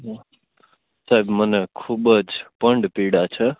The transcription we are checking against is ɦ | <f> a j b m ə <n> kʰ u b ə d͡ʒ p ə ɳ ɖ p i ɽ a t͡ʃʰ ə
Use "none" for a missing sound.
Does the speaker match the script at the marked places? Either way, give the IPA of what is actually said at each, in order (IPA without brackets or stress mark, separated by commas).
s, n